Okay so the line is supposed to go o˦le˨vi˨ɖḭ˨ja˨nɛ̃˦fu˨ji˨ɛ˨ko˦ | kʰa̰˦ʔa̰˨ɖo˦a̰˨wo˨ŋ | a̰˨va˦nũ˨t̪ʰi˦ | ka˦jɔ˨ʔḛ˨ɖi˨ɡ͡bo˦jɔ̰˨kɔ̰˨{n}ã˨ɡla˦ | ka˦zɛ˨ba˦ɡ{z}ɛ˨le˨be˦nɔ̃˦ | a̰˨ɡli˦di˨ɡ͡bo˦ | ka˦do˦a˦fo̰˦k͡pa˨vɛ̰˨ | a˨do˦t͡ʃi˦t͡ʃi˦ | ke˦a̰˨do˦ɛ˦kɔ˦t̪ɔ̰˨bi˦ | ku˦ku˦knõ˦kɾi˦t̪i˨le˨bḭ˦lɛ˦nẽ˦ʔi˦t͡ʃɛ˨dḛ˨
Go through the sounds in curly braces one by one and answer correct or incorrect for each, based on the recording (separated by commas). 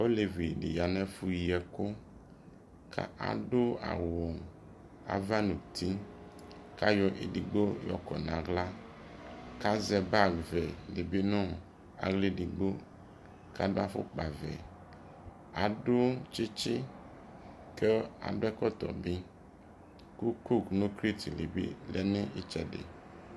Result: correct, incorrect